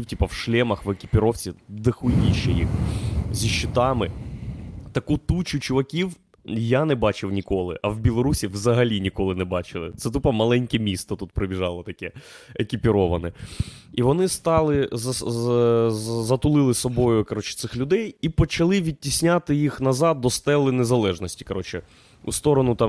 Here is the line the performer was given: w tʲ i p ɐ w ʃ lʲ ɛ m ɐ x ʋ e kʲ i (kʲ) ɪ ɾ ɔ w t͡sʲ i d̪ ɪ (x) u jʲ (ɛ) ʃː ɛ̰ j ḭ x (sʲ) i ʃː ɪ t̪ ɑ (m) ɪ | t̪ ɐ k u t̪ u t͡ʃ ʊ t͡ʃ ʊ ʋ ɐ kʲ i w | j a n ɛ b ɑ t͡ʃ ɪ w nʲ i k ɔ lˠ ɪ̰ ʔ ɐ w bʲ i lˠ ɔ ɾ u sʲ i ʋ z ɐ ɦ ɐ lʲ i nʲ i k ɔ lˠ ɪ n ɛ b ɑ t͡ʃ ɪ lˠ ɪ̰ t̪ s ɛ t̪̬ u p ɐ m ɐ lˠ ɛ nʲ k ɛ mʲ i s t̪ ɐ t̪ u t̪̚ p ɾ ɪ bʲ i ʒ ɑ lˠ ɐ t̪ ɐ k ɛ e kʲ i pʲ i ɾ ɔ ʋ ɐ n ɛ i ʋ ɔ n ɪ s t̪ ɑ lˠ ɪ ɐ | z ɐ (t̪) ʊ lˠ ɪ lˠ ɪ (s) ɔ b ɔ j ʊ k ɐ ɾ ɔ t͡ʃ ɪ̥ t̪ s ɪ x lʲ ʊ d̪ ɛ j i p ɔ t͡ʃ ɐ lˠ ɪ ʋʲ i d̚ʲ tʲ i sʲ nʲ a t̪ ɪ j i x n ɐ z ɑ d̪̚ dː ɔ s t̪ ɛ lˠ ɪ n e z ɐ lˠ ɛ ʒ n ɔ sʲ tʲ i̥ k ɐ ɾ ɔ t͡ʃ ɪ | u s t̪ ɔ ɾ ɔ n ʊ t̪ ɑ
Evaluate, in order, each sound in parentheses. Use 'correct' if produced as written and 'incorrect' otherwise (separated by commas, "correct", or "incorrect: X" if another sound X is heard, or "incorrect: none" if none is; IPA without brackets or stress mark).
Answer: incorrect: pʲ, correct, incorrect: i, incorrect: zʲ, correct, correct, correct